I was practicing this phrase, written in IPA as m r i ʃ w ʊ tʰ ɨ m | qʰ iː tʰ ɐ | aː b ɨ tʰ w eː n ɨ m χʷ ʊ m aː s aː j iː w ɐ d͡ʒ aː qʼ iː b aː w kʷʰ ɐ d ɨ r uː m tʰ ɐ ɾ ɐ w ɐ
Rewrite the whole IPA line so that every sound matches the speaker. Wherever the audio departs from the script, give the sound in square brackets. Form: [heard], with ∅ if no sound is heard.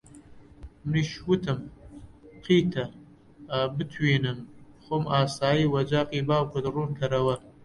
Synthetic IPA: m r i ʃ w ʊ tʰ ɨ m | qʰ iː tʰ ɐ | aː b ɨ tʰ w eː n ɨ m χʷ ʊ m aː s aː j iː w ɐ d͡ʒ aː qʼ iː b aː w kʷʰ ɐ d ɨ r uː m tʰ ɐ ɾ ɐ w ɐ